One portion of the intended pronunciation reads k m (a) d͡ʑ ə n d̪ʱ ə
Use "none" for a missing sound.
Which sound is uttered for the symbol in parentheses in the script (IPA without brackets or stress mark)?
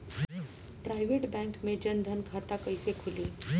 e